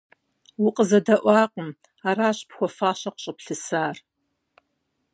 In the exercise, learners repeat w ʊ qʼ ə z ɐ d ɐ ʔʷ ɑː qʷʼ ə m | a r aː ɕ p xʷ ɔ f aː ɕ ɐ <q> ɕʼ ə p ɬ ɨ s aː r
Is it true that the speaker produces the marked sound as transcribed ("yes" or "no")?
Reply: yes